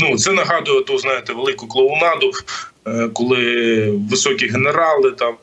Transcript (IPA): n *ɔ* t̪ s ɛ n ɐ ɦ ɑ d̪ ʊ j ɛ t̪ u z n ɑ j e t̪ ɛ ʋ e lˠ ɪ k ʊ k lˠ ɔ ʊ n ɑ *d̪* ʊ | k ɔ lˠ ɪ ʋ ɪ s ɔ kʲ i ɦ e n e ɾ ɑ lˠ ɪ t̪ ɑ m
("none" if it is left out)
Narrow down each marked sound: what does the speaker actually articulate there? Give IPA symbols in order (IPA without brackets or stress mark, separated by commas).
u, d̪